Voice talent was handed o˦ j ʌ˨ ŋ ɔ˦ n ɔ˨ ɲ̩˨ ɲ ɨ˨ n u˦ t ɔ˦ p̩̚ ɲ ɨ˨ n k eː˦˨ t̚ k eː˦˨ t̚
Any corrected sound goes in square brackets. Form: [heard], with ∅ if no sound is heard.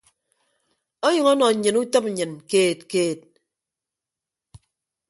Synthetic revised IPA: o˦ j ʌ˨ ŋ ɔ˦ n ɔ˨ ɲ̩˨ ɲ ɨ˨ n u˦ t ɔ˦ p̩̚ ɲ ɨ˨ n k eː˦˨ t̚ k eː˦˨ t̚